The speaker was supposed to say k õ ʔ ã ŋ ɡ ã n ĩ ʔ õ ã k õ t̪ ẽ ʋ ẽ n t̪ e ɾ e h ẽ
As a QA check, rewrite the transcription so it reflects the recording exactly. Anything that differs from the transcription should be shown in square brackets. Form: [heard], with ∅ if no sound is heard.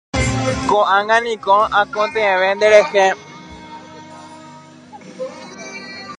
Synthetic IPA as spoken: k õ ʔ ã ŋ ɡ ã n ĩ [k] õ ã k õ t̪ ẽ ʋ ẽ n [d̪] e ɾ e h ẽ